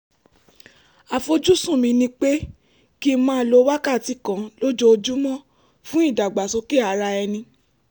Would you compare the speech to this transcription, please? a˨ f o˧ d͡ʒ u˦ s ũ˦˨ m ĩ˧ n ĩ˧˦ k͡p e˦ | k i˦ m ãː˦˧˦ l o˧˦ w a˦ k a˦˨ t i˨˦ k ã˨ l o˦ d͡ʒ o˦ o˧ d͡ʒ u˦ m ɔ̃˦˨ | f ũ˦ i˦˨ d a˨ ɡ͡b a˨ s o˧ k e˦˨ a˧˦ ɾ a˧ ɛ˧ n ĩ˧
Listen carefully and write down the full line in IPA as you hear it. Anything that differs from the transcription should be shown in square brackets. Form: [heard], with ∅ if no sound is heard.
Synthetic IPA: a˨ f o˧ d͡ʒ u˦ s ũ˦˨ m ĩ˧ n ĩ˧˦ k͡p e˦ | k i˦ m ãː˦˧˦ l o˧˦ w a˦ k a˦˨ t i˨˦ k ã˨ l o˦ d͡ʒ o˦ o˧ d͡ʒ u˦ m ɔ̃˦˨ | f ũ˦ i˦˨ d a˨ ɡ͡b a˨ s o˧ k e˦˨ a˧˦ ɾ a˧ ɛ˧ n ĩ˧